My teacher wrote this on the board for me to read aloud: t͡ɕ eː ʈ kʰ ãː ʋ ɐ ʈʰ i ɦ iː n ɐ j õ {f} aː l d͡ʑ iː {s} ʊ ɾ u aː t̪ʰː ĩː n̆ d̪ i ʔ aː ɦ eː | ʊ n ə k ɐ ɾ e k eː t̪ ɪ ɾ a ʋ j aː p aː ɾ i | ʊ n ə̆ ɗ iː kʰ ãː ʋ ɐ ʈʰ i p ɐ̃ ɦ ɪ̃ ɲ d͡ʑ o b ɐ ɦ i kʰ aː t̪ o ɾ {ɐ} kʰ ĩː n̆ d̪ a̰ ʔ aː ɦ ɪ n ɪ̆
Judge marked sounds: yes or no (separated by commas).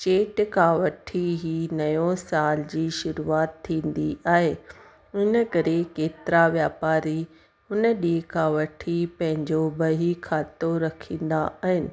no, no, yes